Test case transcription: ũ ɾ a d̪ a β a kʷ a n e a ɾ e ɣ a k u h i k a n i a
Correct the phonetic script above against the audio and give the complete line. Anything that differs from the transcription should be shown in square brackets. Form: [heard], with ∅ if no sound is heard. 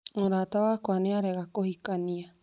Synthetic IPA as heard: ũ ɾ a [t̪] a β a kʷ a n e a ɾ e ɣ a k [o] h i k a n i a